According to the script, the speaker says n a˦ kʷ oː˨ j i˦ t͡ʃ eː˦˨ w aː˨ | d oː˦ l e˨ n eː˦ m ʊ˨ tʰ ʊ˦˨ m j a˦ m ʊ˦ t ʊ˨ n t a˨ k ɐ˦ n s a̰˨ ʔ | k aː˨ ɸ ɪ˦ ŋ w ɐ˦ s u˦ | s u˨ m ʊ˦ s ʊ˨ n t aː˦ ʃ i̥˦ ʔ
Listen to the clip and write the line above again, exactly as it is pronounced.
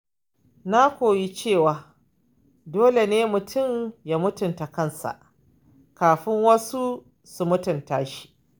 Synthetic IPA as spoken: n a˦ kʷ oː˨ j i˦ t͡ʃ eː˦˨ w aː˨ | d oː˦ l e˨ n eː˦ m ʊ˨ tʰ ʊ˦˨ m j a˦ m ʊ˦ t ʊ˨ n t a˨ k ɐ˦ n s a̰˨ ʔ | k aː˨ ɸ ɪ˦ ŋ w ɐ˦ s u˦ | s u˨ m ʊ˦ t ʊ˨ n t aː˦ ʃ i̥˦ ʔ